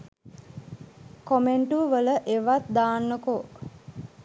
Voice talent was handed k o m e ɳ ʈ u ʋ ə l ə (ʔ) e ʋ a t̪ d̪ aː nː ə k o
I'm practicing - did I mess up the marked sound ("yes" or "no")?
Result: no